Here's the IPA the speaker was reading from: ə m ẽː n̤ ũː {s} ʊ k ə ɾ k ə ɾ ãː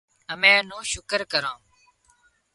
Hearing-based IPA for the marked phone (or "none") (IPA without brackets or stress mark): ʃ